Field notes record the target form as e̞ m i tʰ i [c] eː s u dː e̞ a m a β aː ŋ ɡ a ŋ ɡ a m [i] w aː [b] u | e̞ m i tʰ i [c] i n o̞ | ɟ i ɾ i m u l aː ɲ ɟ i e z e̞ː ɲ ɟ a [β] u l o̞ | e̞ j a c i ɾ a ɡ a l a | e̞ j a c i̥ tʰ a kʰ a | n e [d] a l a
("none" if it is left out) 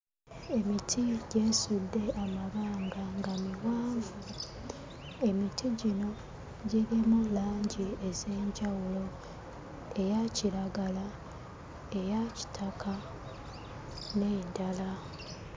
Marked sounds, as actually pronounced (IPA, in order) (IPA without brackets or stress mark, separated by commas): ɟ, i, v, ɟ, w, d